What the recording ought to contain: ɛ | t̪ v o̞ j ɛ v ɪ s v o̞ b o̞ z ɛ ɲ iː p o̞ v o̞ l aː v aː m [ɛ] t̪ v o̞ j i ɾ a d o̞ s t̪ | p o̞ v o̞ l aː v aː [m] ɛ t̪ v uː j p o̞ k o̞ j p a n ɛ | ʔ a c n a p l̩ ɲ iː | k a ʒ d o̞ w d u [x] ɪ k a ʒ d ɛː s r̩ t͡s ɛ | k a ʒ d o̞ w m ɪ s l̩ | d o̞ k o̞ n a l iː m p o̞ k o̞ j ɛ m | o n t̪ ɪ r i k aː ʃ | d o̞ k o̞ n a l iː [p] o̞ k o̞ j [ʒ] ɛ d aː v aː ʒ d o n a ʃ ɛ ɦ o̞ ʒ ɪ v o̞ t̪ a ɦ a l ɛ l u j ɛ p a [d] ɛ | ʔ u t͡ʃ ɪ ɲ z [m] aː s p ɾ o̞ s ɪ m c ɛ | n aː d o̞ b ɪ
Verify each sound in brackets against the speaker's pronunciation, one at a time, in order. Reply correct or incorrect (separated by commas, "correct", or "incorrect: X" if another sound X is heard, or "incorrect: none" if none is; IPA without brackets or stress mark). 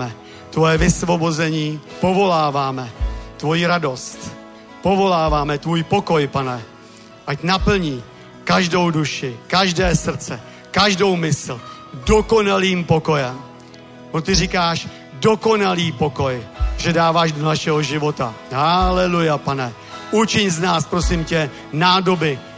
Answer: correct, correct, incorrect: ʃ, correct, correct, incorrect: n, incorrect: n